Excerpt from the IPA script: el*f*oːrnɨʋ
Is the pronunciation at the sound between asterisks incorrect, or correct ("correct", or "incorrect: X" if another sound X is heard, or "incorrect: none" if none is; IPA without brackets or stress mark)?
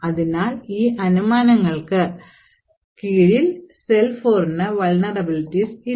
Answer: correct